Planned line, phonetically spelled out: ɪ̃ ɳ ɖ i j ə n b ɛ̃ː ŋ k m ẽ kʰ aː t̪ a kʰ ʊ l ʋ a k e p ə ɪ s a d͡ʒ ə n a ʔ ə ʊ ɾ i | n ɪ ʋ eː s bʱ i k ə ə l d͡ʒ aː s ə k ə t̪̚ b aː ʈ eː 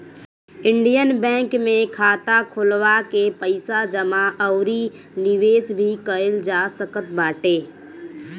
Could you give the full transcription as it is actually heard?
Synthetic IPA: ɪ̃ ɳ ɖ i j ə n b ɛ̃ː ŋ k m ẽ kʰ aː t̪ a kʰ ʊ l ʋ a k e p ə ɪ s a d͡ʒ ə m a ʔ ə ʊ ɾ i | n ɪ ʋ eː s bʱ i k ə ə l d͡ʒ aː s ə k ə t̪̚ b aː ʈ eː